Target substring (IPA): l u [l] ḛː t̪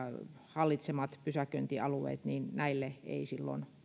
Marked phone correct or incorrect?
incorrect